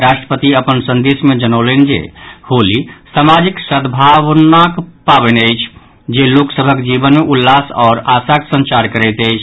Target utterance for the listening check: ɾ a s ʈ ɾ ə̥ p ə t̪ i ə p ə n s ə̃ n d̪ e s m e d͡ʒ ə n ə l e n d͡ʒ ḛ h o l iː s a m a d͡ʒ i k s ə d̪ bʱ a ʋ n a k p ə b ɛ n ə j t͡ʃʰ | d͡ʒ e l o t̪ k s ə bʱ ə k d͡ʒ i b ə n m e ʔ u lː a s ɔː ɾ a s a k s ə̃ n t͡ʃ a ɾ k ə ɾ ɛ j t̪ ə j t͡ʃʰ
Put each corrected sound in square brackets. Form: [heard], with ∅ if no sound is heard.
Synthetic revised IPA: ɾ a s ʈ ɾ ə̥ p ə t̪ i ə p ə n s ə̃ n d̪ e s m e d͡ʒ ə n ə l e n d͡ʒ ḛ h o l [i] s a m a d͡ʒ i k s ə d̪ bʱ a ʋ n a k p [a] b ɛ n ə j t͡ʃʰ | d͡ʒ e l o [∅] k s ə bʱ ə k d͡ʒ i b ə n m e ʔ u lː a s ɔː ɾ a s a k s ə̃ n t͡ʃ a ɾ k ə ɾ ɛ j t̪ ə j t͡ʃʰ